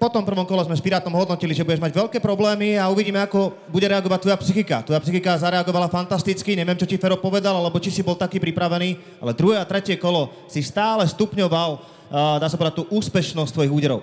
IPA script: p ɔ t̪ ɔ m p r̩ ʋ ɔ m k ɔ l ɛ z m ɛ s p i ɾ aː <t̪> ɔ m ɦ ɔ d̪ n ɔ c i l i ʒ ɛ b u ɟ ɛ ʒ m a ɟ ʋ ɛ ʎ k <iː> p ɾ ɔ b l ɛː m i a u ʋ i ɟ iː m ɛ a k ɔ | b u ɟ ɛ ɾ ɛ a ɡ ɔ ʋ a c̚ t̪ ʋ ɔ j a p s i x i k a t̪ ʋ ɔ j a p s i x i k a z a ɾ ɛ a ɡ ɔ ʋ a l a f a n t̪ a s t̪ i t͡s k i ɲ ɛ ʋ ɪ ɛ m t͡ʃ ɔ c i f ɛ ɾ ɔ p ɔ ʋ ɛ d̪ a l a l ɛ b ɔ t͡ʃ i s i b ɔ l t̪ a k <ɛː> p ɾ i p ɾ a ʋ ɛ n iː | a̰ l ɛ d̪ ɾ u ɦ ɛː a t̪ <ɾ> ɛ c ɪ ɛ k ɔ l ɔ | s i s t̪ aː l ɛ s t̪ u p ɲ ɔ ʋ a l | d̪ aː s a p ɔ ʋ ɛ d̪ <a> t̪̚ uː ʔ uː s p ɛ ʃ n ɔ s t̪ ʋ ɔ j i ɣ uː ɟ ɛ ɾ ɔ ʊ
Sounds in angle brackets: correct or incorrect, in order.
correct, incorrect, incorrect, correct, correct

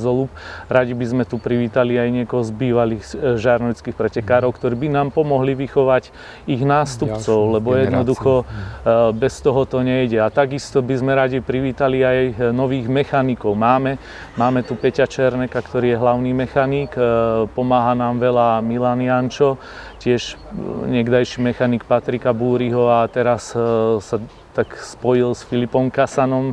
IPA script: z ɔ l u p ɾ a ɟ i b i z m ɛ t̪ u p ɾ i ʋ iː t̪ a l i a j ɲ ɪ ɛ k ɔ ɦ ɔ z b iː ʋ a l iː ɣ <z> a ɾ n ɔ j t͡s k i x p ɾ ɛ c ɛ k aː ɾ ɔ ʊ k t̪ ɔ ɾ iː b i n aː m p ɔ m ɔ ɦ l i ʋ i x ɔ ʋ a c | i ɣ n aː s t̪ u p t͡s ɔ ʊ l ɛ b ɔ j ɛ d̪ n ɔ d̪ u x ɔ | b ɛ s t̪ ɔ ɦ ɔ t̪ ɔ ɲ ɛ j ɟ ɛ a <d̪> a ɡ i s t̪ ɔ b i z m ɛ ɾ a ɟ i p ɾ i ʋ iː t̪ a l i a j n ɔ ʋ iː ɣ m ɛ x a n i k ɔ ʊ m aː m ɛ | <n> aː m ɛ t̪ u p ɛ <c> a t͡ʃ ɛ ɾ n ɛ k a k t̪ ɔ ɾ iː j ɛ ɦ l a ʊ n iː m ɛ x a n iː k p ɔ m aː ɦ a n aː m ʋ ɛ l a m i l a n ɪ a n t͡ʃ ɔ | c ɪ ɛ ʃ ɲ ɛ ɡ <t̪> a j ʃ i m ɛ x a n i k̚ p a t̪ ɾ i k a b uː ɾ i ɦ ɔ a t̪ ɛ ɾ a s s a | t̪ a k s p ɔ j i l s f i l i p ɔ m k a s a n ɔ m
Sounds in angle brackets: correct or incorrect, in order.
incorrect, incorrect, incorrect, correct, incorrect

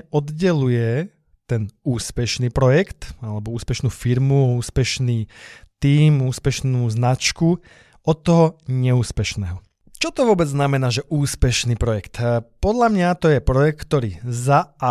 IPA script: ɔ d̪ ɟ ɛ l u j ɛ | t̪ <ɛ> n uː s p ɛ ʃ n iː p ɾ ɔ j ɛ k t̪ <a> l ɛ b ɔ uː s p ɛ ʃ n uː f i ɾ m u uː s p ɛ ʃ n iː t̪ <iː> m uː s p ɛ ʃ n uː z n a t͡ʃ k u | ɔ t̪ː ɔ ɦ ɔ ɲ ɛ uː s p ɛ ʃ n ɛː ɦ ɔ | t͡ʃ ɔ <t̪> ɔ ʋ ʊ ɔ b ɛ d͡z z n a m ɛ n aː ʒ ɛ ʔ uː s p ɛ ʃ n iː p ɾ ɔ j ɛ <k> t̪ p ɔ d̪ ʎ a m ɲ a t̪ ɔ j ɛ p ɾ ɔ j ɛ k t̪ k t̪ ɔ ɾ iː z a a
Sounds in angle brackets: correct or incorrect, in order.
correct, correct, correct, correct, correct

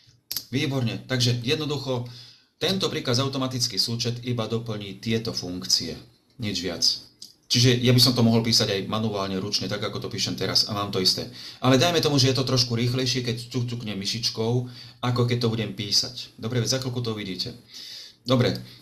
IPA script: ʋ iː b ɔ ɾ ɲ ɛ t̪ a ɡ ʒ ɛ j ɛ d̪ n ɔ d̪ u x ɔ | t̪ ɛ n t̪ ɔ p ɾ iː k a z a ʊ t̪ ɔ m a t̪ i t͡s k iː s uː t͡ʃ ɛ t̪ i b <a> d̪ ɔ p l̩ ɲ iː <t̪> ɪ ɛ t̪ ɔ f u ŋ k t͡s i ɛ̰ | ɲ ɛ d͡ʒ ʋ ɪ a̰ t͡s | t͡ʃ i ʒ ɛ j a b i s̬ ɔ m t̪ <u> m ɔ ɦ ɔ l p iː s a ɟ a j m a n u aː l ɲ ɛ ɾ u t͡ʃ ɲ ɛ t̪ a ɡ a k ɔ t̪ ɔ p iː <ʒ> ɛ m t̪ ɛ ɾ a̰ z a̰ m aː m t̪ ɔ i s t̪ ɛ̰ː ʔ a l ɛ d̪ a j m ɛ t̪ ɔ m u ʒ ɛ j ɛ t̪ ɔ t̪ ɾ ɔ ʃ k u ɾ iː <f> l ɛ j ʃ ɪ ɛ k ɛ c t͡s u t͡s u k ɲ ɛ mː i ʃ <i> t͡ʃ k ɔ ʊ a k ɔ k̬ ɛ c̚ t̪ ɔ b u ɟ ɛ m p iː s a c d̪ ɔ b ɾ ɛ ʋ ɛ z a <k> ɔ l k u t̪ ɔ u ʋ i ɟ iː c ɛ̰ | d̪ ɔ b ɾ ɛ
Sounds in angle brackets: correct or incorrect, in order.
correct, correct, incorrect, incorrect, incorrect, correct, correct

